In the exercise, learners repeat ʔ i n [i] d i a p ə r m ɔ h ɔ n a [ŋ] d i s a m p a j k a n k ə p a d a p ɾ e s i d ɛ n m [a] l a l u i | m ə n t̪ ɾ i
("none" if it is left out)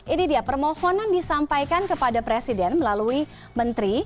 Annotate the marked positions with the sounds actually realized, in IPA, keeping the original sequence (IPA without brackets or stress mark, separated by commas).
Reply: i, n, ə